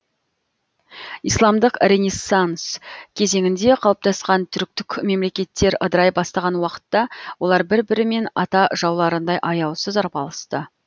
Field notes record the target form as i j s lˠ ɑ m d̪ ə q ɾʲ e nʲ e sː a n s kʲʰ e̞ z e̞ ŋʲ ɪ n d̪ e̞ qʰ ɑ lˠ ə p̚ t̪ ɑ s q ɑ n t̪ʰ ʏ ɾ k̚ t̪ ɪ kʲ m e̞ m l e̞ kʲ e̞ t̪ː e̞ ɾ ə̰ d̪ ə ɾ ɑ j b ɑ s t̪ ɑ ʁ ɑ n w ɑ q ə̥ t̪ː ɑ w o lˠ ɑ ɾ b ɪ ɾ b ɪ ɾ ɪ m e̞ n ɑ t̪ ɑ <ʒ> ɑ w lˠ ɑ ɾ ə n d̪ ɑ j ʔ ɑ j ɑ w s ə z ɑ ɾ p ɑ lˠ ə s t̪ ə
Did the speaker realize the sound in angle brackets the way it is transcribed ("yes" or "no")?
yes